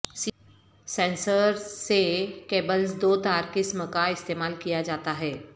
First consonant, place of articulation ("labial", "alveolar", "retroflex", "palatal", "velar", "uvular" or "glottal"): alveolar